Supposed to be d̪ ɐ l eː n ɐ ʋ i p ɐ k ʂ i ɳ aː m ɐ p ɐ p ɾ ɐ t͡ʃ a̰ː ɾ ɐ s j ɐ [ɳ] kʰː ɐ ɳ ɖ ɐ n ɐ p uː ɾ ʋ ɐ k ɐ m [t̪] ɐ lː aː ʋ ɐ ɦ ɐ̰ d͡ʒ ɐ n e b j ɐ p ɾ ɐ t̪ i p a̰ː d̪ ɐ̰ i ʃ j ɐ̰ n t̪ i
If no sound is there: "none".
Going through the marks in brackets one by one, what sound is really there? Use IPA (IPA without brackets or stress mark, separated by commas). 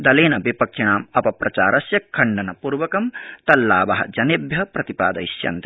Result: none, t̪